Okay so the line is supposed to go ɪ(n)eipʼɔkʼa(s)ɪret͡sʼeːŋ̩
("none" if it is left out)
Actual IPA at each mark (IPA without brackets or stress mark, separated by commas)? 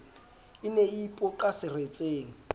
n, s